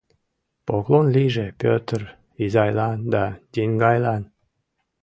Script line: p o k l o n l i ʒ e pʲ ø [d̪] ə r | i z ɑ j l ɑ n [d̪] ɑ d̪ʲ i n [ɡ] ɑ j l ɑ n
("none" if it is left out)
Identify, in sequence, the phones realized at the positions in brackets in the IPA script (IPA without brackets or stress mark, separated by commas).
t̪, d̪, ɡ